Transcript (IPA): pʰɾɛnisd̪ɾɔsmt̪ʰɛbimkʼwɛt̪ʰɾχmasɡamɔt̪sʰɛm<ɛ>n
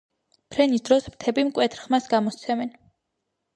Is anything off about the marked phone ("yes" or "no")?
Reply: no